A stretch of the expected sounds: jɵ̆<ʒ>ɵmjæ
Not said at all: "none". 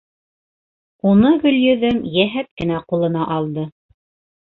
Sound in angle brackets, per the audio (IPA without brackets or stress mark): ð